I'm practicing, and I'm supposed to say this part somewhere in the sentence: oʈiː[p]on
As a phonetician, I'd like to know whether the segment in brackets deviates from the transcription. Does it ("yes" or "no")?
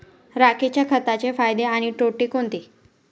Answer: yes